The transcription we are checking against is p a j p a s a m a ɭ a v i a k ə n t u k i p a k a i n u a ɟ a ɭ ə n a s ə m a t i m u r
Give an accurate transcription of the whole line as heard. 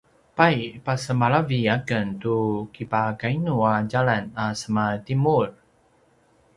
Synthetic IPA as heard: p a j p a s ə m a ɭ a v i a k ə n t u k i p a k a i n u a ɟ a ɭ a n a s ə m a t i m u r